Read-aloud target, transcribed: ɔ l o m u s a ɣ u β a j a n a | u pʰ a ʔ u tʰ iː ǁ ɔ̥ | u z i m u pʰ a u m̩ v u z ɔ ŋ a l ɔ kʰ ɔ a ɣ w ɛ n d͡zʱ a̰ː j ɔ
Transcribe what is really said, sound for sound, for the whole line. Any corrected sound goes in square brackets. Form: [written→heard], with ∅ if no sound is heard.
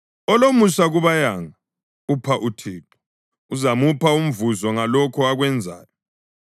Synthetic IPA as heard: ɔ l o m u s a ɣ u β a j a [n→ŋ] a | u pʰ a ʔ u tʰ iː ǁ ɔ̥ | u z [i→a] m u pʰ a u m̩ v u z ɔ ŋ a l ɔ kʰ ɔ a ɣ w ɛ n d͡zʱ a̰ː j ɔ